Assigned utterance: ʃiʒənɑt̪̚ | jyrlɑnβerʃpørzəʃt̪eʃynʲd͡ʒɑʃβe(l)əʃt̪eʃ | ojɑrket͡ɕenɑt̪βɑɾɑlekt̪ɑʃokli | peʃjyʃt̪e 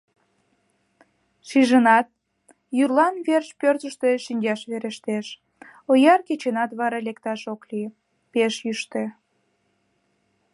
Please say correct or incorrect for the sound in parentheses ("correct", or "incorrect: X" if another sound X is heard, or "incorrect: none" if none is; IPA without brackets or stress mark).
incorrect: ɾ